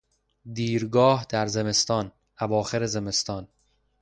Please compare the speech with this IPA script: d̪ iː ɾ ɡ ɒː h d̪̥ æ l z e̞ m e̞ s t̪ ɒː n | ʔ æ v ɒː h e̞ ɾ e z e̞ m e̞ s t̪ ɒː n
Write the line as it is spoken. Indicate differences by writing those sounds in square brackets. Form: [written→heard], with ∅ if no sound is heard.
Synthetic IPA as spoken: d̪ iː ɾ ɡ ɒː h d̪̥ æ [l→ɾ] z e̞ m e̞ s t̪ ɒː n | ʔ æ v ɒː [h→x] e̞ ɾ e z e̞ m e̞ s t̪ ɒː n